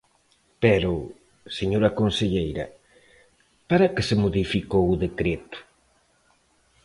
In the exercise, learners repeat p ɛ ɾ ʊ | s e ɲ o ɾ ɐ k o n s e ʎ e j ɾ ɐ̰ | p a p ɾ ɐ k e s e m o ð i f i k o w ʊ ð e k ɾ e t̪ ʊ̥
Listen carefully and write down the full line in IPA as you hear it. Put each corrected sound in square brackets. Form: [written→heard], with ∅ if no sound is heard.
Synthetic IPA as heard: p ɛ ɾ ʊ | s e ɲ o ɾ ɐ k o n s e ʎ e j ɾ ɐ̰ | p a [p→∅] ɾ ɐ k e s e m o ð i f i k o w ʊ ð e k ɾ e t̪ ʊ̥

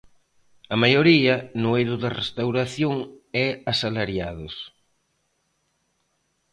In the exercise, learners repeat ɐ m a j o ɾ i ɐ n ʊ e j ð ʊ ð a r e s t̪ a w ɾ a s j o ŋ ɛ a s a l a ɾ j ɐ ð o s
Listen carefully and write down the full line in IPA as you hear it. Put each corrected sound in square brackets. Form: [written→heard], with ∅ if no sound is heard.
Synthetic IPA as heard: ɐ m a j o ɾ i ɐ n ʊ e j ð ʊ ð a r e s t̪ a w ɾ a [s→θ] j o ŋ ɛ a s a l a ɾ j [ɐ→a] ð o s

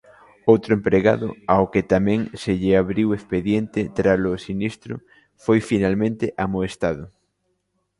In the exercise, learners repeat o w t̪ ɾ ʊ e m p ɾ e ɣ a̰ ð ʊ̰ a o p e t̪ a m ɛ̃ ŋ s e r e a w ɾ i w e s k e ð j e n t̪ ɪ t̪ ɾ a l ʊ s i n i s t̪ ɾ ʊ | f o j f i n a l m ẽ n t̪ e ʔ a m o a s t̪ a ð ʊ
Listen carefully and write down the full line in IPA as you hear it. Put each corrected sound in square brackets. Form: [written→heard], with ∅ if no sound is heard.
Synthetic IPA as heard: o w t̪ ɾ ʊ e m p ɾ e ɣ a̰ ð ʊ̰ a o [p→k] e t̪ a m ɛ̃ ŋ s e [r→ʎ] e a [w→β] ɾ i w e s [k→p] e ð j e n t̪ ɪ t̪ ɾ a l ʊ s i n i s t̪ ɾ ʊ | f o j f i n a l m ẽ n t̪ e ʔ a m o [a→e] s t̪ a ð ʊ

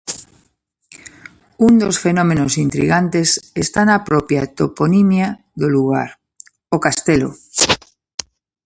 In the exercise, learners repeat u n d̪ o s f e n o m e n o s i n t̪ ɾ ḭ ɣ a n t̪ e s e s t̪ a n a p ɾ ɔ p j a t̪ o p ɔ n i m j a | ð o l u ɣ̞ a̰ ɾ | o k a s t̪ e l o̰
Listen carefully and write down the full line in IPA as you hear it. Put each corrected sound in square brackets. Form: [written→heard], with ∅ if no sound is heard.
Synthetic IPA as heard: u n d̪ o s f e n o m e n o s i n t̪ ɾ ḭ ɣ a n t̪ e s e s t̪ a n a p ɾ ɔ p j a t̪ o p [ɔ→o] n i m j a | ð o l u ɣ̞ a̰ ɾ | o k a s t̪ e l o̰

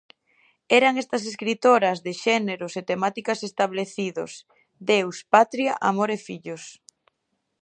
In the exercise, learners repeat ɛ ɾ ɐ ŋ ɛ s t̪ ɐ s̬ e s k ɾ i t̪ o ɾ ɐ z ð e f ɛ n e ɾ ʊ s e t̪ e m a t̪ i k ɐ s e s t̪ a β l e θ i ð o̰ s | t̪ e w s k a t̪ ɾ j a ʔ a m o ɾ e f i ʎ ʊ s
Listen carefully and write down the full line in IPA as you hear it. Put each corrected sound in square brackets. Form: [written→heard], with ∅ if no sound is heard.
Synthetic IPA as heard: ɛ ɾ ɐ ŋ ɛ s t̪ ɐ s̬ e s k ɾ i t̪ o ɾ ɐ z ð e [f→ʃ] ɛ n e ɾ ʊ s e t̪ e m a t̪ i k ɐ s e s t̪ a β l e θ i ð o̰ s | [t̪→d̪] e w s [k→p] a t̪ ɾ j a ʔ a m o ɾ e f i ʎ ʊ s

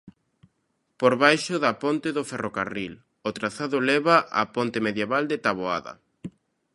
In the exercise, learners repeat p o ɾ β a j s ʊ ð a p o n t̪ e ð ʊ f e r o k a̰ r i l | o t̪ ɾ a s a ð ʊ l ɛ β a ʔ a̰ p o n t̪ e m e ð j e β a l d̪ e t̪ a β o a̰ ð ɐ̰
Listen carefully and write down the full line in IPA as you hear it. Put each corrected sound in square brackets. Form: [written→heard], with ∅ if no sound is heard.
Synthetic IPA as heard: p o ɾ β a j [s→ʃ] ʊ ð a p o n t̪ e ð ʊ f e r o k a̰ r i l | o t̪ ɾ a [s→θ] a ð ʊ l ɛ β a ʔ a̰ p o n t̪ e m e ð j e β a l d̪ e t̪ a β o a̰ ð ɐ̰

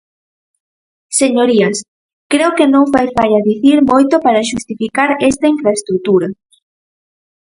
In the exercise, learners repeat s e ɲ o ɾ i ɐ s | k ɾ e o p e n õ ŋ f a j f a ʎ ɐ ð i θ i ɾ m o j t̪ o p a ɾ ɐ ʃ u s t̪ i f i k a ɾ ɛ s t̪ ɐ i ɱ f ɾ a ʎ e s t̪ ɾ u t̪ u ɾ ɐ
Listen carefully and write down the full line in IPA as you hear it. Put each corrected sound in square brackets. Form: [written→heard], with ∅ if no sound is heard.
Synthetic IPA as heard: s e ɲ o ɾ i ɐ s | k ɾ e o [p→k] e n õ ŋ f a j f a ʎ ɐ ð i θ i ɾ m o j t̪ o p a ɾ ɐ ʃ u s t̪ i f i k a ɾ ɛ s t̪ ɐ i ɱ f ɾ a [ʎ→∅] e s t̪ ɾ u t̪ u ɾ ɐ

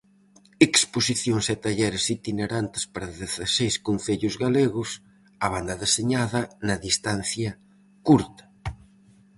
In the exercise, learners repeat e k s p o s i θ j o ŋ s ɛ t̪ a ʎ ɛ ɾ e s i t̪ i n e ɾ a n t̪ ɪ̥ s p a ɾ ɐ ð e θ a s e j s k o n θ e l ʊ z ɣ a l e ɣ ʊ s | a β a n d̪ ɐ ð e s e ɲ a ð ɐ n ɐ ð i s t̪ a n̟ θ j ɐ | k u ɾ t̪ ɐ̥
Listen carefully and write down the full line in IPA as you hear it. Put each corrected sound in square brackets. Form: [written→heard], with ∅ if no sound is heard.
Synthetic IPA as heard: e k s p o s i θ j o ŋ s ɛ t̪ a ʎ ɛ ɾ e s i t̪ i n e ɾ a n t̪ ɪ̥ s p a ɾ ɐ ð e θ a s e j s k o n θ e [l→ʎ] ʊ z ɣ a l e ɣ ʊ s | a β a n d̪ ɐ ð e s e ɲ a ð ɐ n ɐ ð i s t̪ a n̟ θ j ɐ | k u ɾ t̪ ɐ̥

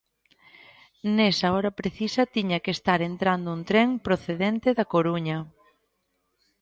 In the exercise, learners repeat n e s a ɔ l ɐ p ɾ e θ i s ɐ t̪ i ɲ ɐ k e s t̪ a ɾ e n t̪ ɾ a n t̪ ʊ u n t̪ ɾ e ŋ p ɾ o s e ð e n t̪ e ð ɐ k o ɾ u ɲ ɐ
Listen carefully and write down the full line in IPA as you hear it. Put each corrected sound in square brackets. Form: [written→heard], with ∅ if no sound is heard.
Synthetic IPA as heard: n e s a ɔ [l→ɾ] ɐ p ɾ e θ i s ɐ t̪ i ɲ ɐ k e s t̪ a ɾ e n t̪ ɾ a n [t̪→d̪] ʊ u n t̪ ɾ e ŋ p ɾ o [s→θ] e ð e n t̪ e ð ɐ k o ɾ u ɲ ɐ

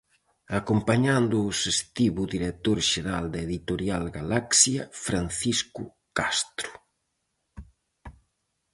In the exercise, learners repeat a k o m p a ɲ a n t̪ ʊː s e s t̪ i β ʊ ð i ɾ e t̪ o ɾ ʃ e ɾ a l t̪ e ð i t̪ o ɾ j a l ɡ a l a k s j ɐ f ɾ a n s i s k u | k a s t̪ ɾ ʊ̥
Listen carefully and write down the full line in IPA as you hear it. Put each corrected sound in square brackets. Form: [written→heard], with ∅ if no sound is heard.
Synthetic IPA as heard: a k o m p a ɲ a n [t̪→d̪] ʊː s e s t̪ i β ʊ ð i ɾ e t̪ o ɾ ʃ e ɾ a l [t̪→d̪] e ð i t̪ o ɾ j a l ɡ a l a k s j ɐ f ɾ a n [s→θ] i s k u | k a s t̪ ɾ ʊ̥

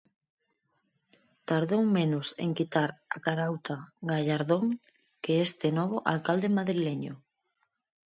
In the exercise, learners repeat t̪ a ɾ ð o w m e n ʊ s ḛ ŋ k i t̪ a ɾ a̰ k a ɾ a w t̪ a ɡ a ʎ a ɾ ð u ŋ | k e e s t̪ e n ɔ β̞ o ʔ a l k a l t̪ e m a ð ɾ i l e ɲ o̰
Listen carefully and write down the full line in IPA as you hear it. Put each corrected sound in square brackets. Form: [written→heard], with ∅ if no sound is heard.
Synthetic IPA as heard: t̪ a ɾ ð o w m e n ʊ s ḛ ŋ k i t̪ a ɾ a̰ k a ɾ a w t̪ a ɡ a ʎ a ɾ ð [u→o] ŋ | k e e s t̪ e n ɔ β̞ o ʔ a l k a l [t̪→d̪] e m a ð ɾ i l e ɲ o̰

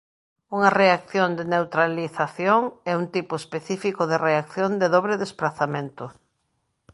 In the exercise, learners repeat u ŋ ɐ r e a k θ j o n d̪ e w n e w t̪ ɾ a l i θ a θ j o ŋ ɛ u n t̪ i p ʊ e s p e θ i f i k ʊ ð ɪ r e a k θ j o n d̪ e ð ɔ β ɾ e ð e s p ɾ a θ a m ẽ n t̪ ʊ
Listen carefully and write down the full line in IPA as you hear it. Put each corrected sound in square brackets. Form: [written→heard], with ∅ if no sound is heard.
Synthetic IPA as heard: u ŋ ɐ r e a k θ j o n d̪ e [w→∅] n e w t̪ ɾ a l i θ a θ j o ŋ ɛ u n t̪ i p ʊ e s p e θ i f i k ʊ ð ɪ r e a k θ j o n d̪ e ð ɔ β ɾ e ð e s p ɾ a θ a m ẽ n t̪ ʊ

